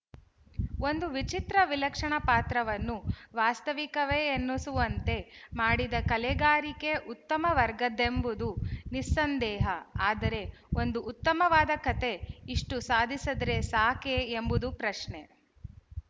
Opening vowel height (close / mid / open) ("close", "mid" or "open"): mid